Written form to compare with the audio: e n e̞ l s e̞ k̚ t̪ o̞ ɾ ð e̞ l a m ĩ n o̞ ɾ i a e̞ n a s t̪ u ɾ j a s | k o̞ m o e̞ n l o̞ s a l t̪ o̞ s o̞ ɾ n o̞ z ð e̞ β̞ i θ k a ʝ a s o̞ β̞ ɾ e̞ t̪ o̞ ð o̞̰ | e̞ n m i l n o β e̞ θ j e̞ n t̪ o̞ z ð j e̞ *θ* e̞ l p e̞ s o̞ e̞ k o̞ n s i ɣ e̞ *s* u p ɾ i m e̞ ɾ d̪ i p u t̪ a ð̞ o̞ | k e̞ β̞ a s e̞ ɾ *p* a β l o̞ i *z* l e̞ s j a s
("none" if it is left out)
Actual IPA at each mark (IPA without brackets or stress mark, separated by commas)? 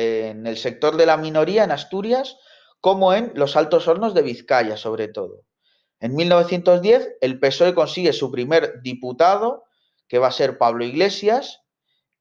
θ, s, p, ɣ